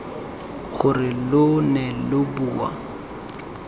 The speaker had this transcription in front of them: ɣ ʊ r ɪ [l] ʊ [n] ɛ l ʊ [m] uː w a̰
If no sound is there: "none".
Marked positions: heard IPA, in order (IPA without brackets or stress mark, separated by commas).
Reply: l, n, b